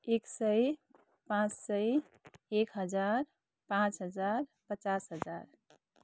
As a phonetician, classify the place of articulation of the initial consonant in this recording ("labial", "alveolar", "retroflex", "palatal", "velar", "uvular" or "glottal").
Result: velar